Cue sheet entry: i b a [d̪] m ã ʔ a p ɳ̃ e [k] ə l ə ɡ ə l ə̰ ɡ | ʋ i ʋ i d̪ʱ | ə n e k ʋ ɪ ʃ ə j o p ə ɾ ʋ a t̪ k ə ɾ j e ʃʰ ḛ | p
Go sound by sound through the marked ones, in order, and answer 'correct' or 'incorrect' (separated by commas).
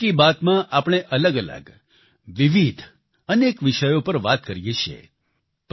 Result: incorrect, incorrect